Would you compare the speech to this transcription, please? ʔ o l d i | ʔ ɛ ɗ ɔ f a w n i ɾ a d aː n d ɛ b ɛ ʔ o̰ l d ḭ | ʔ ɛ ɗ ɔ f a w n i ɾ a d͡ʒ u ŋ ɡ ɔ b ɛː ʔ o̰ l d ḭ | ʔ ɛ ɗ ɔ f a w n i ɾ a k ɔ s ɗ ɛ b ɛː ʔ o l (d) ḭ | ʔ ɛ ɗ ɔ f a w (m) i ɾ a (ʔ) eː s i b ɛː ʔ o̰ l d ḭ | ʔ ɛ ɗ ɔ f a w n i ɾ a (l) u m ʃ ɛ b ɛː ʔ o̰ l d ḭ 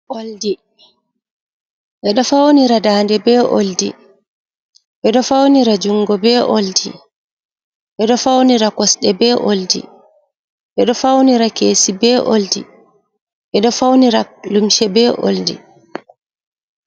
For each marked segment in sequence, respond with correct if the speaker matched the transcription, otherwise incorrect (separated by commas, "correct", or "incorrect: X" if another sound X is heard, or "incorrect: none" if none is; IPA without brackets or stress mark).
correct, incorrect: n, incorrect: k, correct